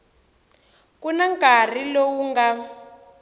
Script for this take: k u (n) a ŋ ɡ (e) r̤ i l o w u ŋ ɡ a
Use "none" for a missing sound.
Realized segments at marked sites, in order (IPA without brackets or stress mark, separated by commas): n, a